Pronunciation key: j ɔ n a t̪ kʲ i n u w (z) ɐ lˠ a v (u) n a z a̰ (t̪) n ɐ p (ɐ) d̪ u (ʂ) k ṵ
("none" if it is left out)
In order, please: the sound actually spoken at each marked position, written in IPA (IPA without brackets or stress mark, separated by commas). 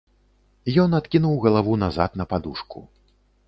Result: ɣ, u, t̪, a, ʂ